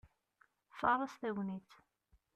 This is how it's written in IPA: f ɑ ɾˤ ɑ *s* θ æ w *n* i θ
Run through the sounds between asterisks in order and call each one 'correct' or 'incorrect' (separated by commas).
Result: correct, correct